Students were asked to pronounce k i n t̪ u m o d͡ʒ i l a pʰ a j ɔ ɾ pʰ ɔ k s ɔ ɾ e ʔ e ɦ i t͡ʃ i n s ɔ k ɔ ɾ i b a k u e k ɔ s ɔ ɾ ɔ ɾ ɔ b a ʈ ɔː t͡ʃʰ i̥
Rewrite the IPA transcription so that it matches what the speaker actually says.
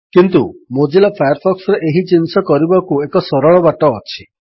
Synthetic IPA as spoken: k i n t̪ u m o d͡ʒ i l a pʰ a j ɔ ɾ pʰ ɔ k s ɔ ɾ e ʔ e ɦ i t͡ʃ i n s ɔ k ɔ ɾ i b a k u e k ɔ s ɔ ɾ ɔ ɭ ɔ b a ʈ ɔː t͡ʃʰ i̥

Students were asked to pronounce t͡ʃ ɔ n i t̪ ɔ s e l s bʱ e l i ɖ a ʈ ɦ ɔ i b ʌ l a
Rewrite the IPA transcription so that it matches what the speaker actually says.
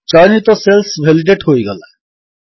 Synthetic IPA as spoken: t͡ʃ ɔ n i t̪ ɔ s e l s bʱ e l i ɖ e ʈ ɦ o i ɡ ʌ l a

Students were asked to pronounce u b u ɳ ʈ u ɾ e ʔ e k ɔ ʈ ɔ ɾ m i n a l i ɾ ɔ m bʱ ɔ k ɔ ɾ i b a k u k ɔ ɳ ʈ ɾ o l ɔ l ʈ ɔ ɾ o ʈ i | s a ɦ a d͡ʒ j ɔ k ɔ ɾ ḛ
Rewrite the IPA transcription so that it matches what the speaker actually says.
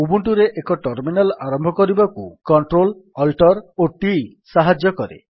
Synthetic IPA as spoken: u b u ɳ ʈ u ɾ e ʔ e k ɔ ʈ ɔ ɾ m i n a l a ɾ ɔ m bʱ ɔ k ɔ ɾ i b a k u k ɔ ɳ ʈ ɾ o l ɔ l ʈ ɔ ɾ o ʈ i | s a ɦ a d͡ʒ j ɔ k ɔ ɾ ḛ

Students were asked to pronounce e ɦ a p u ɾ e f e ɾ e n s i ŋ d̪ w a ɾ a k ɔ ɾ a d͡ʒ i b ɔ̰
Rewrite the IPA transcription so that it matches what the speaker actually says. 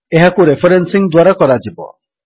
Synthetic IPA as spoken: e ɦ a k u ɾ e f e ɾ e n s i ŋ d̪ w a ɾ a k ɔ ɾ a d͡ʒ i b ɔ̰

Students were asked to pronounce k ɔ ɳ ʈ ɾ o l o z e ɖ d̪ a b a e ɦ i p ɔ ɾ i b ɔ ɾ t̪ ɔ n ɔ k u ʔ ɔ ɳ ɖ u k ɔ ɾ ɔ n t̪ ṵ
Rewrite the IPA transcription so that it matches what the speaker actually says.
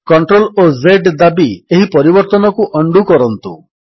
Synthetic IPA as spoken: k ɔ ɳ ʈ ɾ o l o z e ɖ d̪ a b i e ɦ i p ɔ ɾ i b ɔ ɾ t̪ ɔ n ɔ k u ʔ ɔ ɳ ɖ u k ɔ ɾ ɔ n t̪ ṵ

